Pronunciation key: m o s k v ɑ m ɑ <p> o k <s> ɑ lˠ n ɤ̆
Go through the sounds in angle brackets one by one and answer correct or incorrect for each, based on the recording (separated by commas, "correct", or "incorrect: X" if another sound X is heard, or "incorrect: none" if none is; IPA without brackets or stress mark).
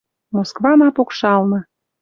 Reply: correct, incorrect: ʃ